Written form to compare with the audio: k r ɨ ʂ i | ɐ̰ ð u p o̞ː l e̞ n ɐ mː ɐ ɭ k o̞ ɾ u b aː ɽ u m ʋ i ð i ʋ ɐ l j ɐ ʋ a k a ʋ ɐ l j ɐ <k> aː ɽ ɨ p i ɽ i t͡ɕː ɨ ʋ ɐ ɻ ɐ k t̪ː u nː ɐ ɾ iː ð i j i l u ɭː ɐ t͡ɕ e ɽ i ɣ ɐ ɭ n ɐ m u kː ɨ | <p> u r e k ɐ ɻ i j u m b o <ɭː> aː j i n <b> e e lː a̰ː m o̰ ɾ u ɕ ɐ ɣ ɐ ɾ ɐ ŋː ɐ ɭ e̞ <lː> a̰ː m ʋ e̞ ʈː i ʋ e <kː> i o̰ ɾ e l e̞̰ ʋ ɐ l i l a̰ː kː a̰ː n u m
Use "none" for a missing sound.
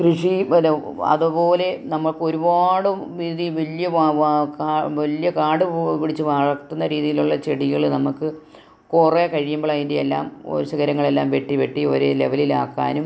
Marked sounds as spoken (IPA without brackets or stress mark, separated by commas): k, k, ɭ, d, lː, ʈː